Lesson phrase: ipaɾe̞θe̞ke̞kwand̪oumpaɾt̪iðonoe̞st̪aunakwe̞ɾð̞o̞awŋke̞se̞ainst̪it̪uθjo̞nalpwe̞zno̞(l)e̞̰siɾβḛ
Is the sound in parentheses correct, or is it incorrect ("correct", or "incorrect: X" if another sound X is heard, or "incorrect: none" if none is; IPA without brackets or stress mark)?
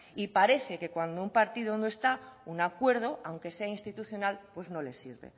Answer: correct